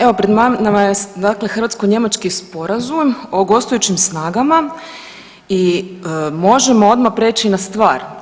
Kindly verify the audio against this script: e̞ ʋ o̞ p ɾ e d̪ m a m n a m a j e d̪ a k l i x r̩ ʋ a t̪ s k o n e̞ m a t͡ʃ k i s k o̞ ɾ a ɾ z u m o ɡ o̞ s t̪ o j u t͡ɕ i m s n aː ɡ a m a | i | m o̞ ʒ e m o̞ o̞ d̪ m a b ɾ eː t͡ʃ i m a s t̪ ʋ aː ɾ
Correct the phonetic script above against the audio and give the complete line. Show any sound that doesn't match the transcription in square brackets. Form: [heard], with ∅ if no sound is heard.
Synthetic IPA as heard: e̞ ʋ o̞ p ɾ e d̪ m a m n a m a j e d̪ a k l [e] x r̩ ʋ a t̪ s k o [ɲ] e̞ m a t͡ʃ k i s [p] o̞ ɾ a [∅] z u m o ɡ o̞ s t̪ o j u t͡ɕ i m s n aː ɡ a m a | i | m o̞ ʒ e m o̞ o̞ d̪ m a [p] ɾ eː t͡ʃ i [n] a s t̪ ʋ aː ɾ